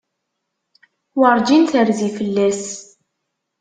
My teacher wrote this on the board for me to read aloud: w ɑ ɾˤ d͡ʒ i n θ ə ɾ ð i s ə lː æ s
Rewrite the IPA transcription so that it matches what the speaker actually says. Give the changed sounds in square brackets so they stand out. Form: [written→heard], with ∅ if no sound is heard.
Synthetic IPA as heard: w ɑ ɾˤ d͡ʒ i n θ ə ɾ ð i [s→f] ə lː æ s